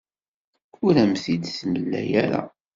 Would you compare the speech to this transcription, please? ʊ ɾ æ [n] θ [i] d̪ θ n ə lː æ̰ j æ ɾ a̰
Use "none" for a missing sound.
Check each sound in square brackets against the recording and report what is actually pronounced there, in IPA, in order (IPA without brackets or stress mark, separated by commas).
m, i